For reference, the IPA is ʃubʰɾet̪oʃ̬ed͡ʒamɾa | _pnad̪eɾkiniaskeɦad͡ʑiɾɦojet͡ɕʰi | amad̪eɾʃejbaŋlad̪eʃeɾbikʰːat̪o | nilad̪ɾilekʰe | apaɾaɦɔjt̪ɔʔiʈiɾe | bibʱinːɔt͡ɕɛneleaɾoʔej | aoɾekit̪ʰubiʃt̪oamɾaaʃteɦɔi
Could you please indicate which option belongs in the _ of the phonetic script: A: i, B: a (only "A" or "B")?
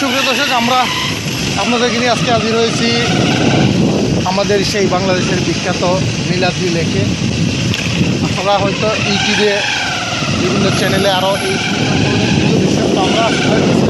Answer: B